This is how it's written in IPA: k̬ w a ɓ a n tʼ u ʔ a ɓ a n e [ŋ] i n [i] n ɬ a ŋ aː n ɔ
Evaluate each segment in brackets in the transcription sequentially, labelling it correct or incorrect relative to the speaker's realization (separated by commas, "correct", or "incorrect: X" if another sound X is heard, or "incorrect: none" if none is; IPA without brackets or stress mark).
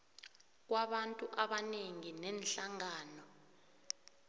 correct, incorrect: ɛ